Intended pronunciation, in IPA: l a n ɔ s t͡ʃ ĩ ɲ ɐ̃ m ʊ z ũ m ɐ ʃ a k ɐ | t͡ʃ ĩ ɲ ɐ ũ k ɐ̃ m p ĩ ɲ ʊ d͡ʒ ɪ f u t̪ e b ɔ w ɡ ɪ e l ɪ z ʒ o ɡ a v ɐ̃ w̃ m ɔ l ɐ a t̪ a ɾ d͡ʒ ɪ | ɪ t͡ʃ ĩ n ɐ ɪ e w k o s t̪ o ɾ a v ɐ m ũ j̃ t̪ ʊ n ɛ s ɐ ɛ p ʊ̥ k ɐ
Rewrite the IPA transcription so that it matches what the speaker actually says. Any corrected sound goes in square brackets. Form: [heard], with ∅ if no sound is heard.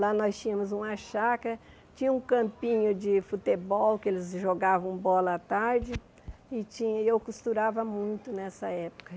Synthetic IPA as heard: l a n ɔ s t͡ʃ ĩ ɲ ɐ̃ m ʊ z ũ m ɐ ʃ a k ɐ | t͡ʃ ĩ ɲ ɐ ũ k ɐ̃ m p ĩ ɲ ʊ d͡ʒ ɪ f u t̪ e b ɔ w [k] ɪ e l ɪ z ʒ o ɡ a v ɐ̃ w̃ [b] ɔ l ɐ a t̪ a ɾ d͡ʒ ɪ | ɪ t͡ʃ ĩ [ɲ] ɐ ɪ e w k [u] s t̪ [u] ɾ a v ɐ m ũ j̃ t̪ ʊ n ɛ s ɐ ɛ p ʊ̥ k ɐ